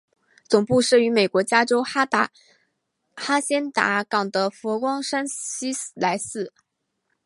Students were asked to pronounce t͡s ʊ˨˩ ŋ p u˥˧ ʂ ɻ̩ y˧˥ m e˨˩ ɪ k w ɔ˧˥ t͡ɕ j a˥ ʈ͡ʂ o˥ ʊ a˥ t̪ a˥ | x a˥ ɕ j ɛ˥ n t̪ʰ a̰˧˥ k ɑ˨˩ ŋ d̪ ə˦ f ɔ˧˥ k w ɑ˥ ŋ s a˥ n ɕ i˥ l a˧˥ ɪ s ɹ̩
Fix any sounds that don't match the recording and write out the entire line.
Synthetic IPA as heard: t͡s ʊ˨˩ ŋ p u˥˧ ʂ ɻ̩ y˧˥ m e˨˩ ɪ k w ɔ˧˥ t͡ɕ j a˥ ʈ͡ʂ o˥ ʊ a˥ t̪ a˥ | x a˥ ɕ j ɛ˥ n t̪ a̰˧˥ k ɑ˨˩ ŋ d̪ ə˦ f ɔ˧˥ k w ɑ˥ ŋ ʂ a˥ n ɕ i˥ l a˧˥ ɪ s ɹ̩